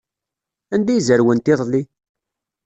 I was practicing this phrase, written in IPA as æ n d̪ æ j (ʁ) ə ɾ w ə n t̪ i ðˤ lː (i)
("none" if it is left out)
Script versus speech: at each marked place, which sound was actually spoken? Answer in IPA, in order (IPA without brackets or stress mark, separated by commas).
z, i